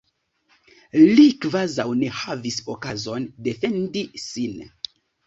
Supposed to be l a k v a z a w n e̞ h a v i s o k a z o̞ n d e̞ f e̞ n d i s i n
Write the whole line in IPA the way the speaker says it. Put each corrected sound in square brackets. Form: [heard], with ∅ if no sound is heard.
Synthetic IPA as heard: l [i] k v a z a w n e̞ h a v i s o k a z o̞ n d e̞ f e̞ n d i s i n